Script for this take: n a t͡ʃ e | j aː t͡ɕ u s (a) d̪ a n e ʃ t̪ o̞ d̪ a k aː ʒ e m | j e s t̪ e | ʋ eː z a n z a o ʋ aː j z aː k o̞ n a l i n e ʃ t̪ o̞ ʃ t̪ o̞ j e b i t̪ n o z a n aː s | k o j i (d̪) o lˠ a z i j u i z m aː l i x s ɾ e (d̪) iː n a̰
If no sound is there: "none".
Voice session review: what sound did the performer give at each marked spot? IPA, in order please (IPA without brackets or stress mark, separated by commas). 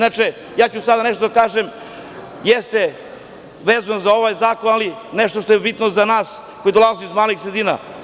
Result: a, d̪, d̪